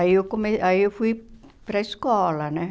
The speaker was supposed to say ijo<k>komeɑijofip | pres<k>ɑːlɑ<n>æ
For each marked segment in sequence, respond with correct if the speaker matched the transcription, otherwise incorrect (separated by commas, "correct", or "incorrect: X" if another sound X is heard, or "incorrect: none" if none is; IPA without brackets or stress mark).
correct, correct, correct